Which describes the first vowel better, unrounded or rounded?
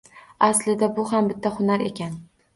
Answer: unrounded